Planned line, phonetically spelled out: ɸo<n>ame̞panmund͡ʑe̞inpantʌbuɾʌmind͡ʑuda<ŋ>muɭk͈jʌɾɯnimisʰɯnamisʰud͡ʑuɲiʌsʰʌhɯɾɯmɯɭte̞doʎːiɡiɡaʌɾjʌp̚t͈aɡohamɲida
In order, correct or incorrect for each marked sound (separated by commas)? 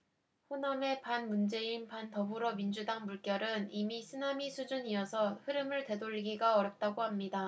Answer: correct, correct